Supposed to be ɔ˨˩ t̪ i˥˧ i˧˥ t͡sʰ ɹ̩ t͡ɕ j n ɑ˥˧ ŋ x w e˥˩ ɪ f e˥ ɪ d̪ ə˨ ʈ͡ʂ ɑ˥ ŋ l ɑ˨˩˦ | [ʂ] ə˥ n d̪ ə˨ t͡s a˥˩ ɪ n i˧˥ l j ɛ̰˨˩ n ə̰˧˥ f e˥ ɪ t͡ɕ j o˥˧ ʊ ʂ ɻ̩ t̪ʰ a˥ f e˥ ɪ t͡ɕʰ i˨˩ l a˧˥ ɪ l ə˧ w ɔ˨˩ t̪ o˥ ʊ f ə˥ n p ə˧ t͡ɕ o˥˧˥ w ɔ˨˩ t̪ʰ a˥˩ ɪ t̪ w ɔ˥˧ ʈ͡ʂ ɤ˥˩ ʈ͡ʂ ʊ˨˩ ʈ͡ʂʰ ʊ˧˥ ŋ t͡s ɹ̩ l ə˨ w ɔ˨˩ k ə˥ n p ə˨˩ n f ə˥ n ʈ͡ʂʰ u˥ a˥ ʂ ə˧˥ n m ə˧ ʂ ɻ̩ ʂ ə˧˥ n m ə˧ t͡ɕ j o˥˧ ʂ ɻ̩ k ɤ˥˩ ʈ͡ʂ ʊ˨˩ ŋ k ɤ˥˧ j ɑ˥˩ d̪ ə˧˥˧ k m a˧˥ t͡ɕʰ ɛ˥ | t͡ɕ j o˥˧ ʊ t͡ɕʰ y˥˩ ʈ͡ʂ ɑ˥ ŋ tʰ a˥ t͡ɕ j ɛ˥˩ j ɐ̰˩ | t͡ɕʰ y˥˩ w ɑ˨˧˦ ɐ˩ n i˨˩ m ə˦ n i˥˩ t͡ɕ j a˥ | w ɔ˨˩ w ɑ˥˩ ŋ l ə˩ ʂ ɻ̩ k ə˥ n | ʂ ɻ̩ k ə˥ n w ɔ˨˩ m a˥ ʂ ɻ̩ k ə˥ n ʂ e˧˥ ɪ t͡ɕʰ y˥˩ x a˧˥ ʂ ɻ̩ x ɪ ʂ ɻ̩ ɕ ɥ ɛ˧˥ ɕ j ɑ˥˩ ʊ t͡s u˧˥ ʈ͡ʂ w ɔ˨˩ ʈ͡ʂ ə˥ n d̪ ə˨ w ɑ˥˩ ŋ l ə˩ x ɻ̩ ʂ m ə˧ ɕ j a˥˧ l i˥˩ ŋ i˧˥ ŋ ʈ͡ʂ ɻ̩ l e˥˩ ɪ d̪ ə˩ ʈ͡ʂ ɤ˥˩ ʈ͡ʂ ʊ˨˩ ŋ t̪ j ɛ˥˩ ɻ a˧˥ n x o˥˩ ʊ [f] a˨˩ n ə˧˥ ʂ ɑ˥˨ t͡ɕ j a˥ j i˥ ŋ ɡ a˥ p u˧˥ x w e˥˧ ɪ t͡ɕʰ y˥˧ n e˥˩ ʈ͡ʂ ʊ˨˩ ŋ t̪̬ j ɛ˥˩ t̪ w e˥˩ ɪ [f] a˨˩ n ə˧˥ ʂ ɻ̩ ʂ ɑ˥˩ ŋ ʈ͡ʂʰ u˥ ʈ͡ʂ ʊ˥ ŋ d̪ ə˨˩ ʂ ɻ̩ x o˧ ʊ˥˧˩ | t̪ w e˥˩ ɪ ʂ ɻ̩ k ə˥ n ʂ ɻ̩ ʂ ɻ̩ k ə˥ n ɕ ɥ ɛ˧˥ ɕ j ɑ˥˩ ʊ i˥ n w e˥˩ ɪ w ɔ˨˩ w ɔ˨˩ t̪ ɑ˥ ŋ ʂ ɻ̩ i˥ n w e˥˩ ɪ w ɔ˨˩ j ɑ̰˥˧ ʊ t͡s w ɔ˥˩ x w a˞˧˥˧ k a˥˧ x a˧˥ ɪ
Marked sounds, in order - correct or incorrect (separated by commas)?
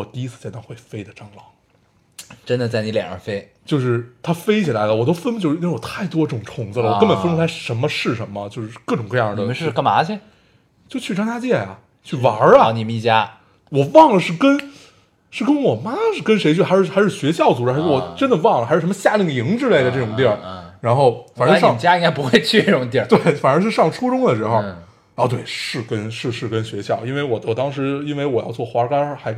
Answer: incorrect, correct, correct